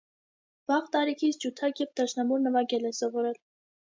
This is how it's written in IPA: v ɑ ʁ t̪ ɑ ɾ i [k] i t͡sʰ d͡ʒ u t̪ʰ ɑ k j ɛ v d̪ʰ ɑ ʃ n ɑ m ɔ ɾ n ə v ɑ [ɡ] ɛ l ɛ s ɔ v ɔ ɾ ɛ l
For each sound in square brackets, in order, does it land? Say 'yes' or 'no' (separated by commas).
no, yes